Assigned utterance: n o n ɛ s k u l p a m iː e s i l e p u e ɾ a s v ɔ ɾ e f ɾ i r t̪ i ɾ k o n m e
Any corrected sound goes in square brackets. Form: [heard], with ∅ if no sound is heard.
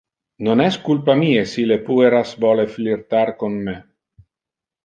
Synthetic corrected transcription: n o n ɛ s k u l p a m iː e s i l e p u e ɾ a s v ɔ [l] e f [l] i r t̪ [a] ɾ k o n m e